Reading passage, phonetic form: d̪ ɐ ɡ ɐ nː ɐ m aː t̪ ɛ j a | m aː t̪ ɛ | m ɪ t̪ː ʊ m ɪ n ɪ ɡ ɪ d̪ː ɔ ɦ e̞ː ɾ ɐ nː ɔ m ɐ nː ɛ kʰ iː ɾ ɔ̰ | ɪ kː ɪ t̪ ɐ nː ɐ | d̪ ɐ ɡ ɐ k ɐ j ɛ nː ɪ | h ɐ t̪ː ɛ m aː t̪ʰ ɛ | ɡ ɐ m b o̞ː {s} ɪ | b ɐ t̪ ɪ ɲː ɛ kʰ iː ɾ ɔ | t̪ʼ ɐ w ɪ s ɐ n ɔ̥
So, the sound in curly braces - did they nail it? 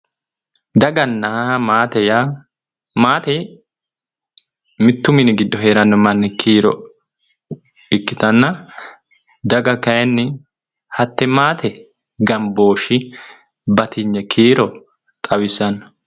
no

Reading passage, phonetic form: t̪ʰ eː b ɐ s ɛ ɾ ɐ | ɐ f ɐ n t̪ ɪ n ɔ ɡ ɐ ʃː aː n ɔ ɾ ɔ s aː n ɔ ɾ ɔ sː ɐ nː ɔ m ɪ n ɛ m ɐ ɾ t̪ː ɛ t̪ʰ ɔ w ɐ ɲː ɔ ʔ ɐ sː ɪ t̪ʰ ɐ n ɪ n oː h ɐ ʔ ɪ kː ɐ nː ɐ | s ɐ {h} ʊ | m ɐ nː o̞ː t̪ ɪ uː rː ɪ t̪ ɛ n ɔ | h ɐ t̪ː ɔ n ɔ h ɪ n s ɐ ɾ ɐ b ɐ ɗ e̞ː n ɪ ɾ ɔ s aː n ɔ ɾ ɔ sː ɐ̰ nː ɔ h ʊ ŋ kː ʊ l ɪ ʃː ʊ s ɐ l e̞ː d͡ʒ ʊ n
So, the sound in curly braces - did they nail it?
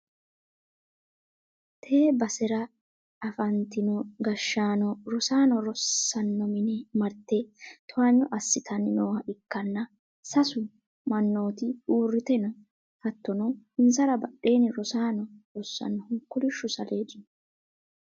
no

